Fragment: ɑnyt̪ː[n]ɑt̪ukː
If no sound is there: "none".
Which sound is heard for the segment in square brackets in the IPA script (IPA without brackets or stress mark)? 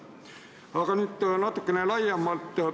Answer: n